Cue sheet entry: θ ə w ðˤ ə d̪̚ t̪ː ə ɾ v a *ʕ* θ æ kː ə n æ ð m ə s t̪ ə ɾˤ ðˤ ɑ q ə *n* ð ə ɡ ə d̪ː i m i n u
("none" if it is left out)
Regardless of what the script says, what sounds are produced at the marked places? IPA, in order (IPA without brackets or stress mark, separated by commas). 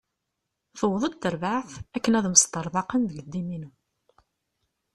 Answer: ʕ, n